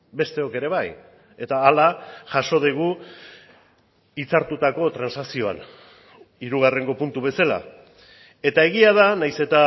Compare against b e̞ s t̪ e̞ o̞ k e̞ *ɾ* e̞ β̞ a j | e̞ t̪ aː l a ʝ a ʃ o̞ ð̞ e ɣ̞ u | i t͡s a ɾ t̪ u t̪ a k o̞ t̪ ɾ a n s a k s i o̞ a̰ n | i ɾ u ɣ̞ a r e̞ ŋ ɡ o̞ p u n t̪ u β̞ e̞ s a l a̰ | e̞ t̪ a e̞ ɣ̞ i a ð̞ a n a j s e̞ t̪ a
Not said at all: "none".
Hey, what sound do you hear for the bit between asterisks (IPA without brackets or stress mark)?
ɾ